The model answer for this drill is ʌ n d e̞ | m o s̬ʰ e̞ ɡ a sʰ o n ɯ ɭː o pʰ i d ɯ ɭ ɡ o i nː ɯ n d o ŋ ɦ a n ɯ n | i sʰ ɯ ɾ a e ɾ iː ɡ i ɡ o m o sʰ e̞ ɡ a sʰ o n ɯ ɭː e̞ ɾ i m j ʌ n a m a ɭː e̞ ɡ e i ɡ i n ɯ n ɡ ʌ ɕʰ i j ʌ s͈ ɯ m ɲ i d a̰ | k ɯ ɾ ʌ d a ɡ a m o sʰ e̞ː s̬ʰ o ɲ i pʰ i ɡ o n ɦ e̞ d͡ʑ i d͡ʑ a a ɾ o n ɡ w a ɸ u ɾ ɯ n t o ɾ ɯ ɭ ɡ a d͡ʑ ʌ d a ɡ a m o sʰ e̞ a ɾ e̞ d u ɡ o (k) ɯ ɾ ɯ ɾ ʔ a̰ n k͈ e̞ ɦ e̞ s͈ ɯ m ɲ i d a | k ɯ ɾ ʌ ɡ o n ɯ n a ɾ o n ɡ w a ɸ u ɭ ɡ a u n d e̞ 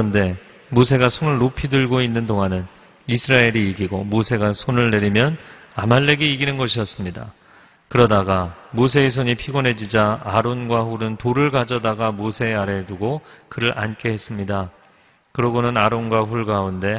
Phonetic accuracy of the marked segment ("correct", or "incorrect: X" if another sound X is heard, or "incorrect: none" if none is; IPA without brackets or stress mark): correct